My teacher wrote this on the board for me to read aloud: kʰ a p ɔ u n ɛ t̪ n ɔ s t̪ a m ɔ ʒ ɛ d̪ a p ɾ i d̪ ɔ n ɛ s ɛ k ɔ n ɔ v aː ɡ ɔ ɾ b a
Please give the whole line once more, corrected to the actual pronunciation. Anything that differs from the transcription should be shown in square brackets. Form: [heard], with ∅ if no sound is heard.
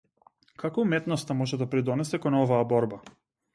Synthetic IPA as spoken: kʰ a [k] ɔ u [m] ɛ t̪ n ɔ s t̪ a m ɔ ʒ ɛ d̪ a p ɾ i d̪ ɔ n ɛ s ɛ k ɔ n ɔ v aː [b] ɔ ɾ b a